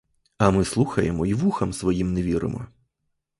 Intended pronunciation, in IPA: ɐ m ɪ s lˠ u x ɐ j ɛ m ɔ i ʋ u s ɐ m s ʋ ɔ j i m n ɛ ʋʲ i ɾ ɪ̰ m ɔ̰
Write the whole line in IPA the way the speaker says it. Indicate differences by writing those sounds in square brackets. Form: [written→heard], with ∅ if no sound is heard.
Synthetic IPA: ɐ m ɪ s lˠ u x ɐ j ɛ m ɔ i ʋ u [s→x] ɐ m s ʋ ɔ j i m n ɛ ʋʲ i ɾ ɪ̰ m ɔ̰